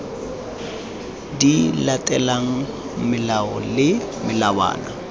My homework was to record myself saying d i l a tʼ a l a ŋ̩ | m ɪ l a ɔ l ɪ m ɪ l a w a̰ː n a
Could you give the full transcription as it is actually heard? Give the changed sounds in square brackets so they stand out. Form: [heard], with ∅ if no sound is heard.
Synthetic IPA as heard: d i l a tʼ [ɛ] l a ŋ̩ | m ɪ l a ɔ l ɪ m ɪ l a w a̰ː n a